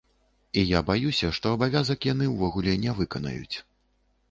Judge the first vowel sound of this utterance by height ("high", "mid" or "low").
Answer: high